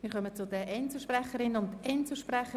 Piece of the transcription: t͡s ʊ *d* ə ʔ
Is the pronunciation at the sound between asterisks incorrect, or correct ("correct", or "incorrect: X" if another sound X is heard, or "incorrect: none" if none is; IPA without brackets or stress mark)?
correct